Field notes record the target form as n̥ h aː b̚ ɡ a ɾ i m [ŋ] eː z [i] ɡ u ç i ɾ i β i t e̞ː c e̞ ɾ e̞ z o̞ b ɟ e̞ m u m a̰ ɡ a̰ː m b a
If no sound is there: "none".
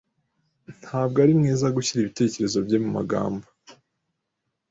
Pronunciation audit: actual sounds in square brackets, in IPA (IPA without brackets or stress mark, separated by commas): ŋ, a